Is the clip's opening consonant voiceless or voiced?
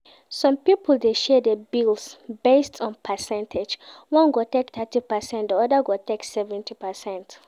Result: voiceless